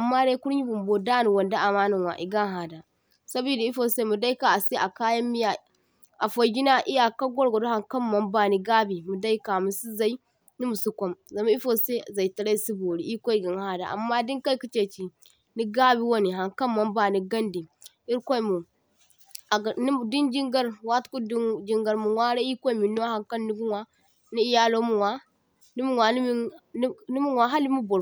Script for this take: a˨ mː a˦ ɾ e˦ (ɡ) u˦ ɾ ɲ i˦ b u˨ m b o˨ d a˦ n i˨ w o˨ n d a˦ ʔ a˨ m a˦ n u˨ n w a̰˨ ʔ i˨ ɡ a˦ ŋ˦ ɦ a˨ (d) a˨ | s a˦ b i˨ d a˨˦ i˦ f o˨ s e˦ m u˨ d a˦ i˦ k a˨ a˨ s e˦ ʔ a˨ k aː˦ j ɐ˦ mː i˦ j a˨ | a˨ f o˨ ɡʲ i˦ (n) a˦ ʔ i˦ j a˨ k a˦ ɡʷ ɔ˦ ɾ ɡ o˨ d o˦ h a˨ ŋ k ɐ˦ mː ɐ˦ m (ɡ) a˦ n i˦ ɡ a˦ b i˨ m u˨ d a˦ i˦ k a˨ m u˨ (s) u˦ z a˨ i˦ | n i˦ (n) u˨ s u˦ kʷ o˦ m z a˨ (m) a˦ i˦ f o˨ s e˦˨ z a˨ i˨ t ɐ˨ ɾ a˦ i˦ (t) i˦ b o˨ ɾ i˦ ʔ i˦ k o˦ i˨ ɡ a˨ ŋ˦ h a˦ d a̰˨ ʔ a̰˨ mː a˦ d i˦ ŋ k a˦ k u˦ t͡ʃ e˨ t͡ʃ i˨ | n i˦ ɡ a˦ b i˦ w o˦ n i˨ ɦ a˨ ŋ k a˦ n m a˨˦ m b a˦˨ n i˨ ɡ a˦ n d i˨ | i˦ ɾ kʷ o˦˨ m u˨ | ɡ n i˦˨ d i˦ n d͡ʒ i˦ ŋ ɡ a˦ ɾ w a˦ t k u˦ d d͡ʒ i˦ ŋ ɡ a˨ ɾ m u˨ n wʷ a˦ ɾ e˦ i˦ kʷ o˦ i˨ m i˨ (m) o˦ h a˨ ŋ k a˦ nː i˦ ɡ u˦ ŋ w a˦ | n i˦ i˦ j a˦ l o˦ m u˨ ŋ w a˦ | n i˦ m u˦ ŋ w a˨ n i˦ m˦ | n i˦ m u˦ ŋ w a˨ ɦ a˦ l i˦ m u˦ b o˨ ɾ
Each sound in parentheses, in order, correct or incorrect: incorrect, correct, correct, incorrect, correct, incorrect, correct, incorrect, incorrect

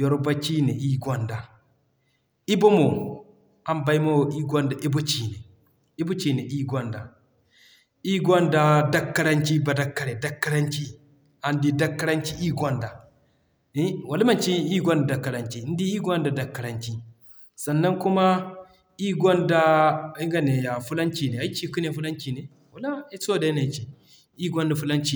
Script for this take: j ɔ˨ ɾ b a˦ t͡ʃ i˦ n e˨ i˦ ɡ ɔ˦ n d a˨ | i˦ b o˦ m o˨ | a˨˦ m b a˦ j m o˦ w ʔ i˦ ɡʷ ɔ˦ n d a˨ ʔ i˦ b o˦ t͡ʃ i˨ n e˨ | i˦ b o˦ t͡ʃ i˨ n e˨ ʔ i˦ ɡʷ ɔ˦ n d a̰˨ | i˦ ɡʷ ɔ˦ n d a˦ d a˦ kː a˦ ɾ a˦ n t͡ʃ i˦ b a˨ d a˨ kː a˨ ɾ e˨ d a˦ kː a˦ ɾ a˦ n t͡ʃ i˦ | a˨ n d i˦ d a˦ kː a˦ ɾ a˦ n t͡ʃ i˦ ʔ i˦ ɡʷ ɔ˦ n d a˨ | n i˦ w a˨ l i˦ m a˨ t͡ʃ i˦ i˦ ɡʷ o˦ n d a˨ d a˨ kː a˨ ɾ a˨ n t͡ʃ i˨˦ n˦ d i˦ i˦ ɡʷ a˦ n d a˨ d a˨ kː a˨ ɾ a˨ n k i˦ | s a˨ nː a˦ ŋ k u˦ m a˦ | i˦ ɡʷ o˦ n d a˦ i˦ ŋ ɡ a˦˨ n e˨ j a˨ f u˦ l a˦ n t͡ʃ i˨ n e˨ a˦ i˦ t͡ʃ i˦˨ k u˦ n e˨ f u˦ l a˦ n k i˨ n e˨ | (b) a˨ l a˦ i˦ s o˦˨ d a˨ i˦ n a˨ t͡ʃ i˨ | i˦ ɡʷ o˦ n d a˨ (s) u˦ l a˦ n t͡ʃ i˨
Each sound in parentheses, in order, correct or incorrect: incorrect, incorrect

